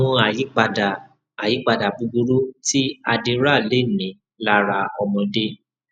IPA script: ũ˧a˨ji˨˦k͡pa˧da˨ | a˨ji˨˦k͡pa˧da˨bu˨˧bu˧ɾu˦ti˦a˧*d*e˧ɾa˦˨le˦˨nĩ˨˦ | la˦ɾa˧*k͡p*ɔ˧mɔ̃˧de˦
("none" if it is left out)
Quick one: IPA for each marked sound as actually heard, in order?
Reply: d, none

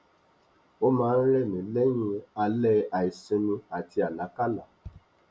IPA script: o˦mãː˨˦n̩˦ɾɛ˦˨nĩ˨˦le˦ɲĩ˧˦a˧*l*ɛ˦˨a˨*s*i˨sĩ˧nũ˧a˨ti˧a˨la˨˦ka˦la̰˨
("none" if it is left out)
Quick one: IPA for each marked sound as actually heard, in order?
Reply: l, none

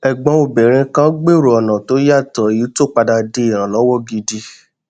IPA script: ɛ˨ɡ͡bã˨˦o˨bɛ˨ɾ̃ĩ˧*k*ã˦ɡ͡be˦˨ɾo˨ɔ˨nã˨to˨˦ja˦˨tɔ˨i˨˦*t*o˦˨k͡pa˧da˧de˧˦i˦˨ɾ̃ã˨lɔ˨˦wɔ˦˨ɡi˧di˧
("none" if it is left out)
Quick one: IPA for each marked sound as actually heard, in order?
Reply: k, t

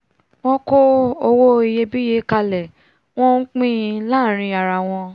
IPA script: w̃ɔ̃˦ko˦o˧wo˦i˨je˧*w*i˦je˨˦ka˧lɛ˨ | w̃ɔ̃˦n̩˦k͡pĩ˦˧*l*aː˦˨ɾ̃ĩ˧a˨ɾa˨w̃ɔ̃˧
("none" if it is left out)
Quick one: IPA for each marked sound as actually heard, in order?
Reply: b, l

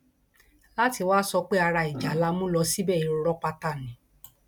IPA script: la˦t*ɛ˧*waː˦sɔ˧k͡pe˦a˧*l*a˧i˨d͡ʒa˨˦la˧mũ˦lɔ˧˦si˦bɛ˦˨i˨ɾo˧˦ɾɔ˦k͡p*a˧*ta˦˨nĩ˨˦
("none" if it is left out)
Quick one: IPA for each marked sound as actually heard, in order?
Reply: i˧, ɾ, a˧

